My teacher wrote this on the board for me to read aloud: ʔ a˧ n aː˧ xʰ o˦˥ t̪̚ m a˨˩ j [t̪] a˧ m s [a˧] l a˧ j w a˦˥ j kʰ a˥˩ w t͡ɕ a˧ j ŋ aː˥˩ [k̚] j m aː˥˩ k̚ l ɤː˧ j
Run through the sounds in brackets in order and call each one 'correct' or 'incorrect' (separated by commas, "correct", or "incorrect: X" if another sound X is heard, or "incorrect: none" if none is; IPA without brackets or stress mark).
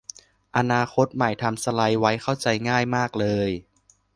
incorrect: t̪ʰ, correct, incorrect: none